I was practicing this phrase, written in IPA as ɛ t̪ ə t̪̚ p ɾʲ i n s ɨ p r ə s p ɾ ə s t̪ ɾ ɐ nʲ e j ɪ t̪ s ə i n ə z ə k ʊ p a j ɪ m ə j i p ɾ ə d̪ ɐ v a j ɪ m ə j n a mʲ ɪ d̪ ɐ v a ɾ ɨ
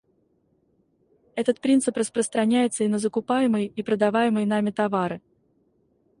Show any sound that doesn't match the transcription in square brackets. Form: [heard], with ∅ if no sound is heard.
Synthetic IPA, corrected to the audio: ɛ t̪ ə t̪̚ p ɾʲ i n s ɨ p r ə s p ɾ ə s t̪ ɾ ɐ nʲ [æ] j ɪ t̪ s ə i n ə z ə k ʊ p a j ɪ m ə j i p ɾ ə d̪ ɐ v a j ɪ m ə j n a mʲ ɪ [t̪] ɐ v a ɾ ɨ